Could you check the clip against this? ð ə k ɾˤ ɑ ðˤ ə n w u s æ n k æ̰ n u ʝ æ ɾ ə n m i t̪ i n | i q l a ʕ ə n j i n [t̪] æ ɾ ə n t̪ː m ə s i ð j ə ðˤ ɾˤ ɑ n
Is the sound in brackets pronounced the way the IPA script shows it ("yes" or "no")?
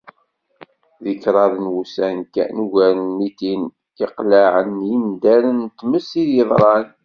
no